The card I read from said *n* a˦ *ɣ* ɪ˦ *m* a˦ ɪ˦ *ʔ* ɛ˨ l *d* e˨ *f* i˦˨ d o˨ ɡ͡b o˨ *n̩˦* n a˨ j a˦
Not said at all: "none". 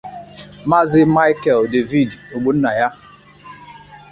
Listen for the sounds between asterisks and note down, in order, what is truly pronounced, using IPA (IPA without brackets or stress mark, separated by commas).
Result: m, z, m, k, d, v, n̩˦